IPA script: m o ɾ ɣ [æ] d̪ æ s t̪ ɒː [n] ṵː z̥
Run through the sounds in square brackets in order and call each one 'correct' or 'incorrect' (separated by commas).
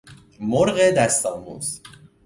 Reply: incorrect, incorrect